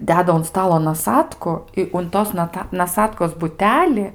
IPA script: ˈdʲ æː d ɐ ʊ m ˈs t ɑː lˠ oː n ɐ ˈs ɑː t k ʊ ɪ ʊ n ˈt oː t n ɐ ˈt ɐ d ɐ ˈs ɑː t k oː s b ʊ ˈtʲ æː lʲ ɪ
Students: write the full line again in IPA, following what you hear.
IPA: ˈdʲ æː d ɐ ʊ n ˈs t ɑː lˠ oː n ɐ ˈs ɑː t k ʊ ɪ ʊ n ˈt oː s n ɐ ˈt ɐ n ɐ ˈs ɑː t k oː s b ʊ ˈtʲ æː lʲ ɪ